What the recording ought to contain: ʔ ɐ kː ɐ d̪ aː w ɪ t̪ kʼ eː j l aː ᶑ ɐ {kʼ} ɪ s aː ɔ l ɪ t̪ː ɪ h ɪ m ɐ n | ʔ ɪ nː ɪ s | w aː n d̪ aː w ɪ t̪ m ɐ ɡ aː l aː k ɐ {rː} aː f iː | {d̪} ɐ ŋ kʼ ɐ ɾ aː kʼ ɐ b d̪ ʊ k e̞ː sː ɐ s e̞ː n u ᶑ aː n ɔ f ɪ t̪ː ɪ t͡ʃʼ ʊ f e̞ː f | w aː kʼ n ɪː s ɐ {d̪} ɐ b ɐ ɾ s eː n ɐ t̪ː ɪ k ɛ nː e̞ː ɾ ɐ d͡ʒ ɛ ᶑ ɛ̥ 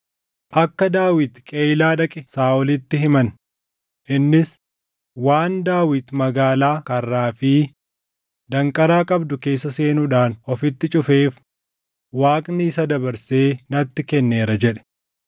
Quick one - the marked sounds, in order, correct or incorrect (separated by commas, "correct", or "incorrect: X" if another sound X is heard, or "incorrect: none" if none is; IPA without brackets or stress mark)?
correct, correct, correct, correct